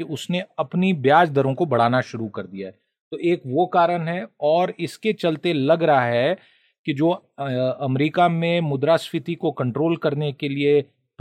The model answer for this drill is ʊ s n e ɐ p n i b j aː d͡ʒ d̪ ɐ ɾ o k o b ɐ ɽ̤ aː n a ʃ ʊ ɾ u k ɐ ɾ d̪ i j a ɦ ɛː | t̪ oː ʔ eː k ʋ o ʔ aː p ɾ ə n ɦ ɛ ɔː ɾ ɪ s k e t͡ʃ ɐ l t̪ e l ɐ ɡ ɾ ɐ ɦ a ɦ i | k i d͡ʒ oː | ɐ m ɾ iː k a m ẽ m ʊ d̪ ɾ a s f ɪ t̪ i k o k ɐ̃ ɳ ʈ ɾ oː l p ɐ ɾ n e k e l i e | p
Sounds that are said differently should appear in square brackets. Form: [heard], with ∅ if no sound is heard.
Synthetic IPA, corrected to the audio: ʊ s n e ɐ p n i b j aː d͡ʒ d̪ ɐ ɾ [õ] k o b ɐ ɽ̤ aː n a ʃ ʊ ɾ u k ɐ ɾ d̪ i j a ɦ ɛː | t̪ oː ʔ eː k ʋ o [k] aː [∅] ɾ ə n ɦ ɛ ɔː ɾ ɪ s k e t͡ʃ ɐ l t̪ e l ɐ ɡ ɾ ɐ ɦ a ɦ [ɛ] | k i d͡ʒ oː | ɐ m ɾ iː k a m ẽ m ʊ d̪ ɾ a s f ɪ t̪ i k o k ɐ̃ ɳ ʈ ɾ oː l [k] ɐ ɾ n e k e l i e | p